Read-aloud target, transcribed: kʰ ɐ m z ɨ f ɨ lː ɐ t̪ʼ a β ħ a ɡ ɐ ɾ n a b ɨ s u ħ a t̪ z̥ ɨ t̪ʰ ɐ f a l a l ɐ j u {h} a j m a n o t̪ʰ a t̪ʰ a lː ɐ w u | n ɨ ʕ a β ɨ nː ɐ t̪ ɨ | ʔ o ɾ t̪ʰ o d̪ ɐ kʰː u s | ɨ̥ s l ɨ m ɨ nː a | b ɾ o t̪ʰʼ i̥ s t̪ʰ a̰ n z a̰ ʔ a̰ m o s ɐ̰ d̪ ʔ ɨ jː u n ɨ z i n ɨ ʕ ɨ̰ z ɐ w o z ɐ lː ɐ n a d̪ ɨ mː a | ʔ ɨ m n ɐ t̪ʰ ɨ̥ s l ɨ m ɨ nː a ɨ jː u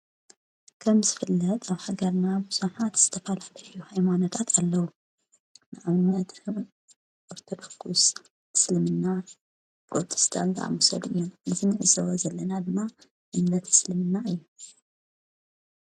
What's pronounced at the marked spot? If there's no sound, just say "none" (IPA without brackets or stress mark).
h